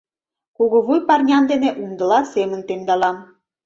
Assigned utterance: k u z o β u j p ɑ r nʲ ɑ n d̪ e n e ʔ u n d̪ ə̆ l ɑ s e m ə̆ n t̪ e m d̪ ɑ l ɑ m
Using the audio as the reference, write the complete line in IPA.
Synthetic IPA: k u ɣ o β u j p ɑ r nʲ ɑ n d̪ e n e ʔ u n d̪ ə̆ l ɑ s e m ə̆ n t̪ e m d̪ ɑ l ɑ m